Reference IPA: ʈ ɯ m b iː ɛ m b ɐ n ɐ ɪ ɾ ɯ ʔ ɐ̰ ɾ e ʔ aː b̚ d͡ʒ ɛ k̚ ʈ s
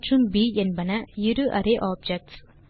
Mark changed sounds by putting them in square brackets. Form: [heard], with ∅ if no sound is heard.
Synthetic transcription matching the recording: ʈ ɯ m b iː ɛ [n] b ɐ n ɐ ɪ ɾ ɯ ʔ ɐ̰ ɾ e ʔ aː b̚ d͡ʒ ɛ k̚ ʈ s